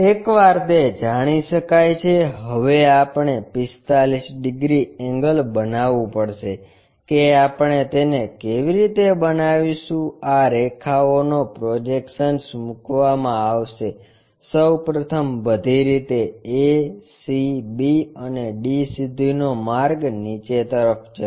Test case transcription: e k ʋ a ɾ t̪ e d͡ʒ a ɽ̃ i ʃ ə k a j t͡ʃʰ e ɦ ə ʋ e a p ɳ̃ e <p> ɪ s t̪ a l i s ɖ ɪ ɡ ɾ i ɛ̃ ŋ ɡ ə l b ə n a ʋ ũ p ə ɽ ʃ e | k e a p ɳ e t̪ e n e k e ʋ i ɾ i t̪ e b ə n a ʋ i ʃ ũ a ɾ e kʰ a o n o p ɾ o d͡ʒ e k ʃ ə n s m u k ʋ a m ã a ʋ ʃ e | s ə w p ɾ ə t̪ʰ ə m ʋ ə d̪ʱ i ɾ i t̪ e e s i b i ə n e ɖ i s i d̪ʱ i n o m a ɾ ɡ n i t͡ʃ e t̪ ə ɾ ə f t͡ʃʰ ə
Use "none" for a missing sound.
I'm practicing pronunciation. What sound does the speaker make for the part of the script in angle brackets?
p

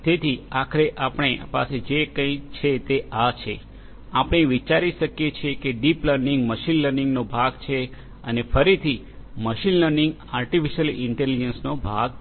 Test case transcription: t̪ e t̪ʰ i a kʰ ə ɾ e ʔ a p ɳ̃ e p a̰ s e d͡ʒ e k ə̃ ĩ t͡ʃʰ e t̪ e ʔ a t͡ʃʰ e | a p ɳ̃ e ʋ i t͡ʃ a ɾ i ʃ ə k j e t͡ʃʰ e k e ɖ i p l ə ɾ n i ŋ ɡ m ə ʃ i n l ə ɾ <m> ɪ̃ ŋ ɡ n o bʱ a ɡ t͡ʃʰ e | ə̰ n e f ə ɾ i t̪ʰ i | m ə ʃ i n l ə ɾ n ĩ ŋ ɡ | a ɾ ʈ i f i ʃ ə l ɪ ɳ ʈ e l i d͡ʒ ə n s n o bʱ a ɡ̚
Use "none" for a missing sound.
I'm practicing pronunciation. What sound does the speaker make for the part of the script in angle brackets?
n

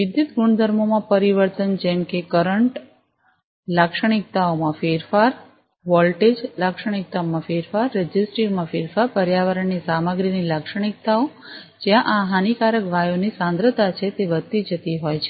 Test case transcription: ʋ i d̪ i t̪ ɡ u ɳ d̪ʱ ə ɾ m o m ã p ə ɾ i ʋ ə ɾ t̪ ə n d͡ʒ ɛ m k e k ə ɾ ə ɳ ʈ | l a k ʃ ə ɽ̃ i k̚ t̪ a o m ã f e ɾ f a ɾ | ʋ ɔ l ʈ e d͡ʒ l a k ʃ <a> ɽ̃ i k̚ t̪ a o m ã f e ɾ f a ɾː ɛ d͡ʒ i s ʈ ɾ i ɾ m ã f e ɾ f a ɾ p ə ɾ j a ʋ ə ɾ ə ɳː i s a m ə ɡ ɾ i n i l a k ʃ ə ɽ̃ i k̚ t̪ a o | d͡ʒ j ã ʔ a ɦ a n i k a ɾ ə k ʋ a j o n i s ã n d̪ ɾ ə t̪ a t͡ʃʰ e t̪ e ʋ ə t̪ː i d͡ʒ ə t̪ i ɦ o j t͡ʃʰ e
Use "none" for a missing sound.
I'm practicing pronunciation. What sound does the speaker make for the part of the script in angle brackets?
ə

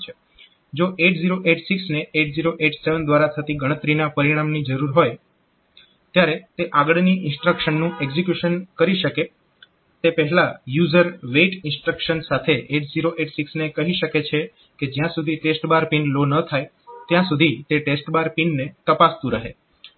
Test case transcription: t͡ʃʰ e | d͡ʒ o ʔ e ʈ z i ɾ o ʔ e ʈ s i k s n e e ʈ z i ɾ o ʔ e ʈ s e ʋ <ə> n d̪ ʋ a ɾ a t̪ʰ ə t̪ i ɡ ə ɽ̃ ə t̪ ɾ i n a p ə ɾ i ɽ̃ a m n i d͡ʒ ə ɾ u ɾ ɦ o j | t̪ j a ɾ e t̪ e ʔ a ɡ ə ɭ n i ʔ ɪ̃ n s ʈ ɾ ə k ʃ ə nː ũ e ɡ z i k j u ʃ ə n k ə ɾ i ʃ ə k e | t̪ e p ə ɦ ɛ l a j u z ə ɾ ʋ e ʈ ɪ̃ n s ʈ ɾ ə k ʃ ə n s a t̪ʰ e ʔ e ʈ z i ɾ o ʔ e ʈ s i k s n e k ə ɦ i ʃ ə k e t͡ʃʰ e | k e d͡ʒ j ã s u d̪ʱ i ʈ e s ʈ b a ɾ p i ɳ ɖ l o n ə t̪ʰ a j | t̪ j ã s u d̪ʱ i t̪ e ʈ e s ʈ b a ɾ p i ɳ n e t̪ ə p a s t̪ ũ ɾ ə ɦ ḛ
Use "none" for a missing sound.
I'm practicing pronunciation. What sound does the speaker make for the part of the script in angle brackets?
ə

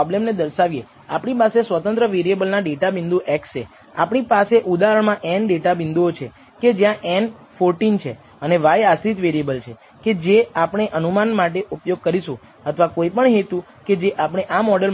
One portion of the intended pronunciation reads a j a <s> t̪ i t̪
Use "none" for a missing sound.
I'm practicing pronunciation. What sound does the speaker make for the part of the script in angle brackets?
s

